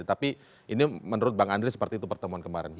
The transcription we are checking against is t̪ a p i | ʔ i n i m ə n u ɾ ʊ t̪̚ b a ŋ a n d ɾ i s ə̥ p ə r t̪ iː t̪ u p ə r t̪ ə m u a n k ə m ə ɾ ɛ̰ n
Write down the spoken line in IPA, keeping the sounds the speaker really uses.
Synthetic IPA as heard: t̪ a p i | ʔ i n i m ə n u ɾ ʊ t̪̚ b a ŋ a n d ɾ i s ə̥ p ə r t̪ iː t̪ u p ə r t̪ ə m u a n k ə m a ɾ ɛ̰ n